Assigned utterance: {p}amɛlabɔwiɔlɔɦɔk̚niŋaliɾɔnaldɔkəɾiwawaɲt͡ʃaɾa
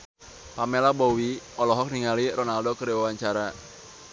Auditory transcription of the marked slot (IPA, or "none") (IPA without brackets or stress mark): p